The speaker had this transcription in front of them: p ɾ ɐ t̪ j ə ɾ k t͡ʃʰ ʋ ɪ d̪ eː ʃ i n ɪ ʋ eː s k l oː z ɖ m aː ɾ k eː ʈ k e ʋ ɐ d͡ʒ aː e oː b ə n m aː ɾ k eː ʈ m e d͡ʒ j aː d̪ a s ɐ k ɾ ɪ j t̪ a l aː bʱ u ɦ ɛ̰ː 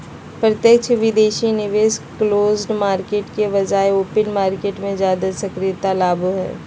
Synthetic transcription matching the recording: p ɾ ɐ t̪ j ə k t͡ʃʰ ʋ ɪ d̪ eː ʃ i n ɪ ʋ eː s k l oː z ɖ m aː ɾ k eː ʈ k e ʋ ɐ d͡ʒ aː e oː p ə n m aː ɾ k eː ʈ m ẽ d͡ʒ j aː d̪ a s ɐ k ɾ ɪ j t̪ a l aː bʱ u ɦ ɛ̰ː